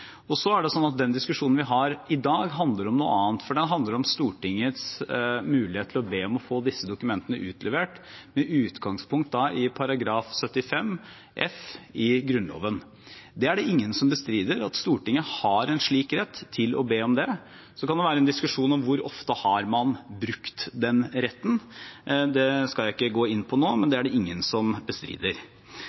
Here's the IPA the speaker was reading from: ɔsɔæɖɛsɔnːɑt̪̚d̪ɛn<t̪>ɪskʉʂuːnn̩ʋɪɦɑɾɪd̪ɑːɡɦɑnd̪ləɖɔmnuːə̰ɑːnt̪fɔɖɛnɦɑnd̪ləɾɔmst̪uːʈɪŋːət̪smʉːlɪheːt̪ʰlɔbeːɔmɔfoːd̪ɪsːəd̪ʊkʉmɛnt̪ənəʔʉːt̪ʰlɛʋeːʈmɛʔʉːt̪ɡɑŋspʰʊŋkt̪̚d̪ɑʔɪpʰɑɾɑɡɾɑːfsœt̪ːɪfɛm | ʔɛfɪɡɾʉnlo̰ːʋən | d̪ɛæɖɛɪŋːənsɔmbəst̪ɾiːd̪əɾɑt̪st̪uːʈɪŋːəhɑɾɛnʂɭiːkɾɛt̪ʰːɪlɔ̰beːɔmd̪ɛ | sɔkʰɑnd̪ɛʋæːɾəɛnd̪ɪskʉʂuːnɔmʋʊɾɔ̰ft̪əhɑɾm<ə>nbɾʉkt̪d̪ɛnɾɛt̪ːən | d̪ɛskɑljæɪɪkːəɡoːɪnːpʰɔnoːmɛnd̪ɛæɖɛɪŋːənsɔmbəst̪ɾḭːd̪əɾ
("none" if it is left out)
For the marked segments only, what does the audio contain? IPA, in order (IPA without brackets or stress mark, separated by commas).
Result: d̪, ɑ